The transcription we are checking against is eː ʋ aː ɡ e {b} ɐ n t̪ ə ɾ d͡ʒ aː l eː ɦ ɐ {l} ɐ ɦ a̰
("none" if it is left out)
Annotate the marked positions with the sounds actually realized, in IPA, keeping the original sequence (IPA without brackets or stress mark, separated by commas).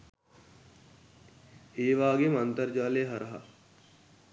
m, ɾ